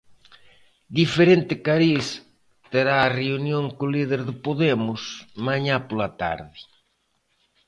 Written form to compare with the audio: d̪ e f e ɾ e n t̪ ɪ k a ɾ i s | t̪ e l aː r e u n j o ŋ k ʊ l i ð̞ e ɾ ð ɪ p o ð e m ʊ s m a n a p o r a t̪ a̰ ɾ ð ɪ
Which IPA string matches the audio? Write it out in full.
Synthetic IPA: d̪ i f e ɾ e n t̪ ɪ k a ɾ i s | t̪ e ɾ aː r e u n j o ŋ k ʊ l i ð̞ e ɾ ð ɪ p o ð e m ʊ s m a ɲ a p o l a t̪ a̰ ɾ ð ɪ